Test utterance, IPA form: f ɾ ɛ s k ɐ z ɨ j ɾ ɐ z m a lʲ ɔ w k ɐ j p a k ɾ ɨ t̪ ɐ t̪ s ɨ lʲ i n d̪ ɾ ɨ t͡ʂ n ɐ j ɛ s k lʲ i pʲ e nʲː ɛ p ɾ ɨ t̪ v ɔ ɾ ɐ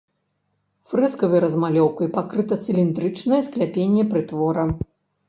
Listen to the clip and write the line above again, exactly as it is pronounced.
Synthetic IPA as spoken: f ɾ ɛ s k ɐ v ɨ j ɾ ɐ z m a lʲ ɔ w k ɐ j p a k ɾ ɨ t̪ ɐ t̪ s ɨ lʲ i n d̪ ɾ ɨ t͡ʂ n ɐ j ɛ s k lʲ a pʲ e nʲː ɛ p ɾ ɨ t̪ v ɔ ɾ ɐ

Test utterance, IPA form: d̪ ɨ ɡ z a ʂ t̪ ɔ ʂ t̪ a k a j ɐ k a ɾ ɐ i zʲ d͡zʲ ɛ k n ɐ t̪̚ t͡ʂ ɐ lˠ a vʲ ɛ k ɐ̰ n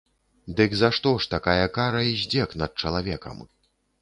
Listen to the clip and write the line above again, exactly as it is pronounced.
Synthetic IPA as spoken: d̪ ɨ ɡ z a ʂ t̪ ɔ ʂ t̪ a k a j ɐ k a ɾ ɐ i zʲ d͡zʲ ɛ k n ɐ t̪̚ t͡ʂ ɐ lˠ a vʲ ɛ k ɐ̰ m

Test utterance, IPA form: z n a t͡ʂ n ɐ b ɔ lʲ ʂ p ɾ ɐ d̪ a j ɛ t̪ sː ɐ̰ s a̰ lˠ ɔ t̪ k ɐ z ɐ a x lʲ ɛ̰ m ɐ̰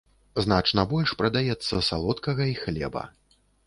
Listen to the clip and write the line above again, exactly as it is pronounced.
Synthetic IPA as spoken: z n a t͡ʂ n ɐ b ɔ lʲ ʂ p ɾ ɐ d̪ a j ɛ t̪ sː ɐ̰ s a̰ lˠ ɔ t̪ k ɐ ɣ ɐ i x lʲ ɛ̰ b ɐ̰

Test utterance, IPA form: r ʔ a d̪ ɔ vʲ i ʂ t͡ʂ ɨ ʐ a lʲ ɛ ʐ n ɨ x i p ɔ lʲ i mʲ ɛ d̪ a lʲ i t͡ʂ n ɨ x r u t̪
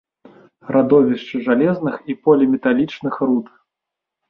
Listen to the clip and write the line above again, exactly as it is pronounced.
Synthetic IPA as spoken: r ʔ a d̪ ɔ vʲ i ʂ t͡ʂ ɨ ʐ a lʲ ɛ z n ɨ x i p ɔ lʲ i mʲ ɛ t̪ a lʲ i t͡ʂ n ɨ x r u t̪

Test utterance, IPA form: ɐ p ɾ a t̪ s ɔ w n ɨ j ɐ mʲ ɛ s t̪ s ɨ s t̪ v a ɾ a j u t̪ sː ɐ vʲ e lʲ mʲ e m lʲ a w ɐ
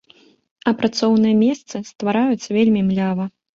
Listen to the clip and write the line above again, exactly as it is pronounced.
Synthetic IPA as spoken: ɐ p ɾ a t̪ s ɔ w n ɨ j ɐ mʲ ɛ s t̪ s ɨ s t̪ v a ɾ a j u t̪ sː ɐ vʲ e lʲ mʲ i m lʲ a v ɐ

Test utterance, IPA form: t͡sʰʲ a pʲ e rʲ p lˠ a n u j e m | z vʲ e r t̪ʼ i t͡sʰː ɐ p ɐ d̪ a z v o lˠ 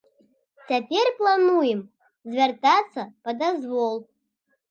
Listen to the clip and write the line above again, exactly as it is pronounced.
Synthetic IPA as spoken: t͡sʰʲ a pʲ e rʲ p lˠ a n u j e m | z vʲ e r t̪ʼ a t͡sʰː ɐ p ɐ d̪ a z v o lˠ

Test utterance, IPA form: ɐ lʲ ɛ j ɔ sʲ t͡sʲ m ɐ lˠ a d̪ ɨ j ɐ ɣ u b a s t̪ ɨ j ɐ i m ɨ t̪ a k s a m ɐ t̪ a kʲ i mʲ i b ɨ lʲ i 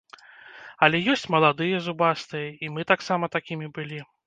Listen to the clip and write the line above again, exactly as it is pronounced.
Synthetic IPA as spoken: ɐ lʲ ɛ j ɔ sʲ t͡sʲ m ɐ lˠ a d̪ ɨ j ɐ z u b a s t̪ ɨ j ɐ i m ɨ t̪ a k s a m ɐ t̪ a kʲ i mʲ i b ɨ lʲ i

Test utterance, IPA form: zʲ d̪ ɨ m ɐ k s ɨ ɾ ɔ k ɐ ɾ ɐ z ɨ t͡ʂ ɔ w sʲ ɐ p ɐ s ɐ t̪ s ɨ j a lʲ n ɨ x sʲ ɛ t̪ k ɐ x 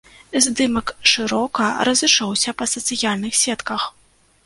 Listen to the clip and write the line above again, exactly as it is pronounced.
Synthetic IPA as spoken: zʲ d̪ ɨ m ɐ k ʂ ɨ ɾ ɔ k ɐ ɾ ɐ z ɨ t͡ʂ ɔ w sʲ ɐ p ɐ s ɐ t̪ s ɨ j a lʲ n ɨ x sʲ ɛ t̪ k ɐ x

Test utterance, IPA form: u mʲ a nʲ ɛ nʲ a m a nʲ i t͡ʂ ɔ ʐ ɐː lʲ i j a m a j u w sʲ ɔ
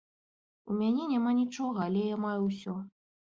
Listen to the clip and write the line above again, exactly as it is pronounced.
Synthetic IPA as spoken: u mʲ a nʲ ɛ nʲ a m a nʲ i t͡ʂ ɔ ɣ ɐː lʲ ɛ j a m a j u w sʲ ɔ

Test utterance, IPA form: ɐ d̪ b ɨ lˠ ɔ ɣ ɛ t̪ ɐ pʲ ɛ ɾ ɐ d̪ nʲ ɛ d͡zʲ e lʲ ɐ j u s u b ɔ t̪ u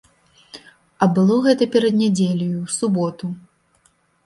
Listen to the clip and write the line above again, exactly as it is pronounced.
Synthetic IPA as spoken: ɐ b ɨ lˠ ɔ ɣ ɛ t̪ ɐ pʲ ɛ ɾ ɐ d̪ nʲ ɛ d͡zʲ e lʲ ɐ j u s u b ɔ t̪ u

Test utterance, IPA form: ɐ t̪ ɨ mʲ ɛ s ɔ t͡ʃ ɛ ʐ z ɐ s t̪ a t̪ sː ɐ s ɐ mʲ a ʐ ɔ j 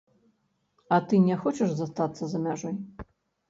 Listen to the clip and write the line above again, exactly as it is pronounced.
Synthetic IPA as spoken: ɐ t̪ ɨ nʲ ɛ x ɔ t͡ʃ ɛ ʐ z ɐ s t̪ a t̪ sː ɐ z ɐ mʲ a ʐ ɔ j

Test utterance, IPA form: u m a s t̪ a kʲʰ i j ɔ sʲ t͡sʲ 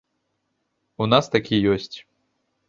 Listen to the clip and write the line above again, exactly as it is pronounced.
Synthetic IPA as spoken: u n a s t̪ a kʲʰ i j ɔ sʲ t͡sʲ

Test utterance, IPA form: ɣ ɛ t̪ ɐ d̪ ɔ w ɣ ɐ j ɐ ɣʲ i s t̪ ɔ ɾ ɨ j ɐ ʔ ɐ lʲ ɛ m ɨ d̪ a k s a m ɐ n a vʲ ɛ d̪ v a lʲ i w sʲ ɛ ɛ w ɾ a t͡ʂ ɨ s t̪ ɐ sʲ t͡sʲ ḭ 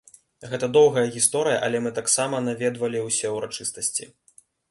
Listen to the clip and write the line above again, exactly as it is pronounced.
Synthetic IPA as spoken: ɣ ɛ t̪ ɐ d̪ ɔ w ɣ ɐ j ɐ ɣʲ i s t̪ ɔ ɾ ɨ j ɐ ʔ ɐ lʲ ɛ m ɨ t̪ a k s a m ɐ n a vʲ ɛ d̪ v ɐ lʲ i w sʲ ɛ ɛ w ɾ a t͡ʂ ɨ s t̪ ɐ sʲ t͡sʲ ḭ

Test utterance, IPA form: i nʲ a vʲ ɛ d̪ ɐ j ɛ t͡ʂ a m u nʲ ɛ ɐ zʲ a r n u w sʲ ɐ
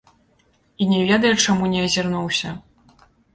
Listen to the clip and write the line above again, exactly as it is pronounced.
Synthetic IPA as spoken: i nʲ ɛ vʲ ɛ d̪ ɐ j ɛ t͡ʂ a m u nʲ ɛ ɐ zʲ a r n u w sʲ ɐ

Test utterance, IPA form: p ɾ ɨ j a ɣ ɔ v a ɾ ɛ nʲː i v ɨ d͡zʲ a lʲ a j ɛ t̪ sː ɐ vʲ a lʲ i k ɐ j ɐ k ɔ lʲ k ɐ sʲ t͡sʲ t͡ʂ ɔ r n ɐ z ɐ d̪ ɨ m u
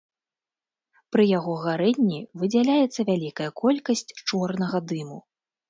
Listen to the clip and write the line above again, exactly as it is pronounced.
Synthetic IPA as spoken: p ɾ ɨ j a ɣ ɔ ɣ a ɾ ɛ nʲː i v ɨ d͡zʲ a lʲ a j ɛ t̪ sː ɐ vʲ a lʲ i k ɐ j ɐ k ɔ lʲ k ɐ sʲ t͡sʲ t͡ʂ ɔ r n ɐ ɣ ɐ d̪ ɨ m u

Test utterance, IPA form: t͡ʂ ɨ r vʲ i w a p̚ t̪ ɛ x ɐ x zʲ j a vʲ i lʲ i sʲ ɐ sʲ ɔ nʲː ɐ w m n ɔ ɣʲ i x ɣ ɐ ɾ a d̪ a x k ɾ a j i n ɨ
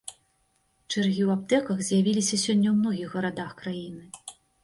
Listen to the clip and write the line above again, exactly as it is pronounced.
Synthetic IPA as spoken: t͡ʂ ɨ r ɣʲ i w a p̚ t̪ ɛ k ɐ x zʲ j a vʲ i lʲ i sʲ ɐ sʲ ɔ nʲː ɐ w m n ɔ ɣʲ i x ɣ ɐ ɾ a d̪ a x k ɾ a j i n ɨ

